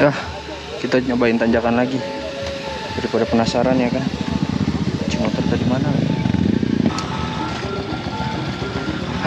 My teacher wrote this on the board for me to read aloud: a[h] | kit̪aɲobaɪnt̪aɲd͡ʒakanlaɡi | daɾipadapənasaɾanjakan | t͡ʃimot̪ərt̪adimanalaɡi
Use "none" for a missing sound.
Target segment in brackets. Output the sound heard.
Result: h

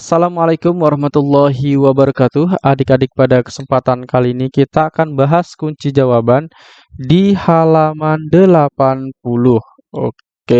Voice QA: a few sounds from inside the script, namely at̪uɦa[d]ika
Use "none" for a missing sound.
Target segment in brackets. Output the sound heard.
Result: d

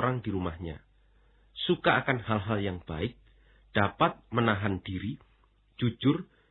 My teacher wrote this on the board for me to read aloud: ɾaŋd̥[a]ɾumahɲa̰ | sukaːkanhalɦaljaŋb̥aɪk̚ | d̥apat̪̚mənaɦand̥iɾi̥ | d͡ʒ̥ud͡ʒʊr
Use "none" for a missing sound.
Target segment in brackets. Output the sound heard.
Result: i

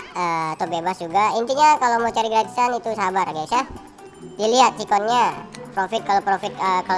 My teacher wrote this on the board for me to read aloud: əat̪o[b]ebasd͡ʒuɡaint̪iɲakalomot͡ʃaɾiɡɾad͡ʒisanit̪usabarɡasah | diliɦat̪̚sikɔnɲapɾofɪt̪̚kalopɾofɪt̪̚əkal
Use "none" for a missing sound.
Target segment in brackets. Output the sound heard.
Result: b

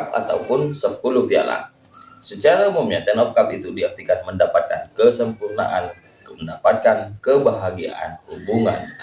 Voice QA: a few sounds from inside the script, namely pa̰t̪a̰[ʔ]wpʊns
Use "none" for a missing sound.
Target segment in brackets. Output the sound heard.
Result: none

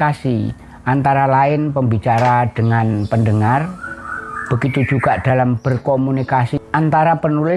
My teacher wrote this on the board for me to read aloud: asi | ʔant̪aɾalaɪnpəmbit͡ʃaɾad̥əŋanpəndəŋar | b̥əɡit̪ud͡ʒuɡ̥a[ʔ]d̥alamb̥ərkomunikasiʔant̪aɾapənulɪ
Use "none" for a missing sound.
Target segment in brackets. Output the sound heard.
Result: ʔ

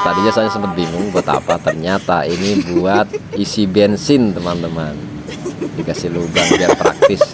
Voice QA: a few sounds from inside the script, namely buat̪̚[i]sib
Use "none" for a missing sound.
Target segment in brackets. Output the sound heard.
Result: i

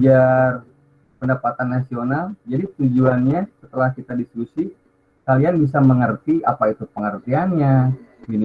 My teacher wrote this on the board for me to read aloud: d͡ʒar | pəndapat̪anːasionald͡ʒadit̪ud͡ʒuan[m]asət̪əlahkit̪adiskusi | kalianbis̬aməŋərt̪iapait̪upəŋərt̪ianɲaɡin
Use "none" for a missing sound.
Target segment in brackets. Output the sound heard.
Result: ɲ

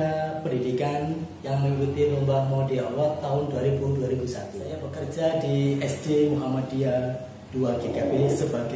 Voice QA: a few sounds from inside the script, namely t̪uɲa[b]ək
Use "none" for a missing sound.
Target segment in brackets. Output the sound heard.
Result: b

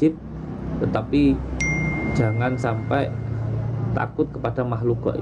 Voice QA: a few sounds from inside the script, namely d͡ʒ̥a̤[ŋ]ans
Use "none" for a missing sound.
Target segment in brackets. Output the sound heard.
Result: ŋ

